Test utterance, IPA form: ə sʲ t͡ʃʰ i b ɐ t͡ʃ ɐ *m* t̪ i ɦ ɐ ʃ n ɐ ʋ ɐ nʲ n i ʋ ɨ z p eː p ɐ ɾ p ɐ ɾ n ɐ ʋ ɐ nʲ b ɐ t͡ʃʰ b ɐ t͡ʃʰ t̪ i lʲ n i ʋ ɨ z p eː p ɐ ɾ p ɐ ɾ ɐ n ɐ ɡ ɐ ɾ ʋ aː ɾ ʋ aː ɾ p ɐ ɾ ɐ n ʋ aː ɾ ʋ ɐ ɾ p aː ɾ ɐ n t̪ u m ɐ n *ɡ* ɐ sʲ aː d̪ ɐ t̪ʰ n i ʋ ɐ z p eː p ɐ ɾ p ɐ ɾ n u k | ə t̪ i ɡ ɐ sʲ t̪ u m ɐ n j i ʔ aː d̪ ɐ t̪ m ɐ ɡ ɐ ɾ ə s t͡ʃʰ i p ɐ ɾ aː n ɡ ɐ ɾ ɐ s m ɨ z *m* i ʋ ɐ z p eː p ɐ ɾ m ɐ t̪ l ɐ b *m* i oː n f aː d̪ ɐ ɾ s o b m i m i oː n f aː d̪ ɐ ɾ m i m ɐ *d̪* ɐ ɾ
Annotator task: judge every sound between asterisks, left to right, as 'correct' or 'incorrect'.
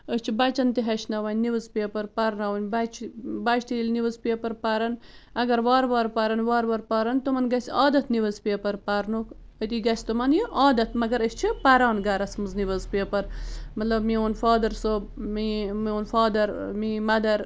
incorrect, correct, incorrect, correct, correct

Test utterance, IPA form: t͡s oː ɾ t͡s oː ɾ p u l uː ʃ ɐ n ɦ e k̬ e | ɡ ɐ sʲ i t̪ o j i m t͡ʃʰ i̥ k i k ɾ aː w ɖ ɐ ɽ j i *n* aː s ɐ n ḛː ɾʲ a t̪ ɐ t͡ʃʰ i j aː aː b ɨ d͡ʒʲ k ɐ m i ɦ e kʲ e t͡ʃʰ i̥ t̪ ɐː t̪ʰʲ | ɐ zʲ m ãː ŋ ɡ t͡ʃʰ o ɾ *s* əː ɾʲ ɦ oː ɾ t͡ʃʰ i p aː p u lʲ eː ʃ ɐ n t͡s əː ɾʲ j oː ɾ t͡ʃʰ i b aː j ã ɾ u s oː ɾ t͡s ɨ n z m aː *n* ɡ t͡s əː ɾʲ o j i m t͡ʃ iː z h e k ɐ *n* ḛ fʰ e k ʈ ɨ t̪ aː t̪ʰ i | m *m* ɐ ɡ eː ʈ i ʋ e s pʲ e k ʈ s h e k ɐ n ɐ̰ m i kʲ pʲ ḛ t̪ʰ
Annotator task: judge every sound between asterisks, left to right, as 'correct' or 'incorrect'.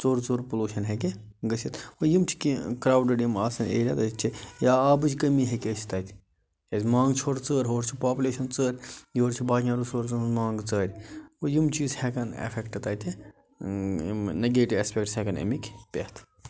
incorrect, incorrect, incorrect, correct, incorrect

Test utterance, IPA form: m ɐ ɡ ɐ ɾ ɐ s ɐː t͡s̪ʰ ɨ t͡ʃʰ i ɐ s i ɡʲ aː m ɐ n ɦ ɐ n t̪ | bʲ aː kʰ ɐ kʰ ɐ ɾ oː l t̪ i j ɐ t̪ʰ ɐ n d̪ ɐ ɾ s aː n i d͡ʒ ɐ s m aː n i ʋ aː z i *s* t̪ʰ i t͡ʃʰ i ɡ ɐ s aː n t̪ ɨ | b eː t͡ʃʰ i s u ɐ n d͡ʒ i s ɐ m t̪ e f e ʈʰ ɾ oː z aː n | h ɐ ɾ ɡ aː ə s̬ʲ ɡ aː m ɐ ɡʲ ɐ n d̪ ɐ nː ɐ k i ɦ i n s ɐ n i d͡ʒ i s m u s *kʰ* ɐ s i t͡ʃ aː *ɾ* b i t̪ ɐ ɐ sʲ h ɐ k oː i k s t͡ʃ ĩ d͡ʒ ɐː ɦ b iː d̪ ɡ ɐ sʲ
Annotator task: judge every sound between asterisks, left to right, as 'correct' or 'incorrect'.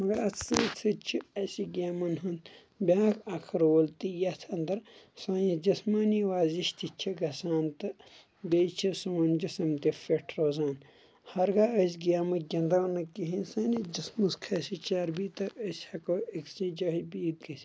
incorrect, correct, correct

